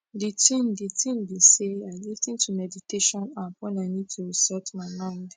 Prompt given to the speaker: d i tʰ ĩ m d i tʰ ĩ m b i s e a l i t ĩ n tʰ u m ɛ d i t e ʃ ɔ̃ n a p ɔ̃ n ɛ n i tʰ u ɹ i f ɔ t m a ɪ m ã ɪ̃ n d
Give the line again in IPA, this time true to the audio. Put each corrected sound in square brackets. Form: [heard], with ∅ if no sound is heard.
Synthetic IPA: d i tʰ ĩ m d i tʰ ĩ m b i s e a l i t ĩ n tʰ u m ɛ d i t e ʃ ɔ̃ n a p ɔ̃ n [a] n i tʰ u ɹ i [s] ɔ t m a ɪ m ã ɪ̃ n d